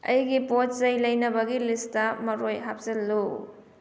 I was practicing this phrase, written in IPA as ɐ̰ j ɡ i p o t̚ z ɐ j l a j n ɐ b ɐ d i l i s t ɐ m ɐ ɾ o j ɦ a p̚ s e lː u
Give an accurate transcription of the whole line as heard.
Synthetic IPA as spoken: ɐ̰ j ɡ i p o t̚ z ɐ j l ɐ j n ɐ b ɐ ɡ i l i s t ɐ m ɐ ɾ o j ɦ a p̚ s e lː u